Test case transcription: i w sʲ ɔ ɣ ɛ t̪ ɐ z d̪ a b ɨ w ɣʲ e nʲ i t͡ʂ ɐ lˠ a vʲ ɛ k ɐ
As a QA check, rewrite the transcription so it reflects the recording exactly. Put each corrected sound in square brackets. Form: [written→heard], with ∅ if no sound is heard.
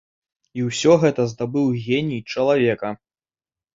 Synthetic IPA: i w sʲ ɔ ɣ ɛ t̪ ɐ z d̪ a b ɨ w ɣʲ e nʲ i t͡ʂ ɐ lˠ a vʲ ɛ k ɐ